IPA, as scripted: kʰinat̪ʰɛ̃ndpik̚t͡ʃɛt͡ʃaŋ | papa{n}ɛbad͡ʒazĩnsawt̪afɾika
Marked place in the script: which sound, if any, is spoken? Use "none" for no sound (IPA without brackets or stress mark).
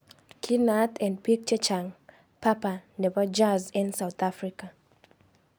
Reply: n